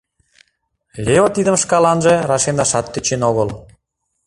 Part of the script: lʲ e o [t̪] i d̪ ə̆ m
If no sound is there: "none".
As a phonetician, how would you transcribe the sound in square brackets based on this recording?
t̪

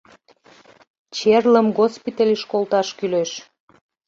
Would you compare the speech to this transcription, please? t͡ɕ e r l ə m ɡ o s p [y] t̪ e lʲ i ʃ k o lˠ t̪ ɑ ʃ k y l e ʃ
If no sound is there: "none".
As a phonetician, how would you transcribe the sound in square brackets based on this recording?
i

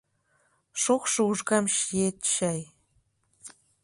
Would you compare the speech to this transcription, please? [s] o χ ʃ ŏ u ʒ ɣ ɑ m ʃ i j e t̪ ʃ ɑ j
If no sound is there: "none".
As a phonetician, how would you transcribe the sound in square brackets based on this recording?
ʃ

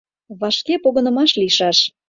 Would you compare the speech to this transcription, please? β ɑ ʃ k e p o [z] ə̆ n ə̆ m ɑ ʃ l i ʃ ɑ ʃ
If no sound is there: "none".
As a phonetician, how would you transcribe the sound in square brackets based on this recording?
ɣ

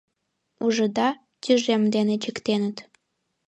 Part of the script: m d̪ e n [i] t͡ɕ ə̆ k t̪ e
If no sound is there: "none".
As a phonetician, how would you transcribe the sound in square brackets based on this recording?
e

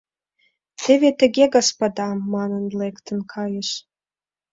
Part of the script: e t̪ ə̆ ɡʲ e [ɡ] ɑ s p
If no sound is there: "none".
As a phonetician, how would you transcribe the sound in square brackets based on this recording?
ɡ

